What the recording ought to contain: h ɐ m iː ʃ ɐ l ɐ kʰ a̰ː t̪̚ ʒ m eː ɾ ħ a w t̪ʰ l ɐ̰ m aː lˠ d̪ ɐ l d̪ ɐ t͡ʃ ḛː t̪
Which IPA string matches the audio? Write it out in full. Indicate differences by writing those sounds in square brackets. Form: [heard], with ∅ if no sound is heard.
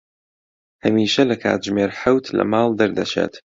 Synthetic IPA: h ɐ m iː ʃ ɐ l ɐ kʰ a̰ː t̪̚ ʒ m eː ɾ ħ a w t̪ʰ l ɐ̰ m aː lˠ d̪ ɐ [ɾ] d̪ ɐ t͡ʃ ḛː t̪